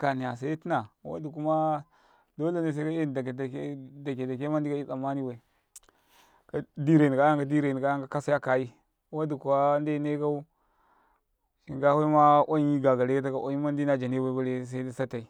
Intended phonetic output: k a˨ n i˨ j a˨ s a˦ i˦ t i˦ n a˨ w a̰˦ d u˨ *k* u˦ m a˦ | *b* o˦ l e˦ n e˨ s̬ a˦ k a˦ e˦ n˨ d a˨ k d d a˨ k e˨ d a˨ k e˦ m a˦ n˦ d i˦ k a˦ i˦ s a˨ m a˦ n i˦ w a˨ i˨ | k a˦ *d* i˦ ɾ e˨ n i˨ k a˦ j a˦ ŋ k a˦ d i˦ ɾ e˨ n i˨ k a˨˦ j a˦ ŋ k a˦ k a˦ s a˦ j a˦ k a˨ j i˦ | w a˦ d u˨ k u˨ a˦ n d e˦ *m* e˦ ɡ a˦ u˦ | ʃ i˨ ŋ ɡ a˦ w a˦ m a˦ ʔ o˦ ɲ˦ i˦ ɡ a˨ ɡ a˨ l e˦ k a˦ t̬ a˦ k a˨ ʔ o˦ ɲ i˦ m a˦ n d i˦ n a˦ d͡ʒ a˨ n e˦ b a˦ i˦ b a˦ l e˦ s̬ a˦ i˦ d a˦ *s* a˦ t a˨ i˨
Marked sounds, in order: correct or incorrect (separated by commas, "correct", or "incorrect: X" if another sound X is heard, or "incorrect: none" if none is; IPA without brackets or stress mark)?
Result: correct, incorrect: d, correct, incorrect: n, correct